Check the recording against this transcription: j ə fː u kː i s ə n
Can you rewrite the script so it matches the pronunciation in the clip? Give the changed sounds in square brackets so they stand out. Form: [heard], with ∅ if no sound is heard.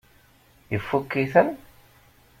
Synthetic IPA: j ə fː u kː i [θ] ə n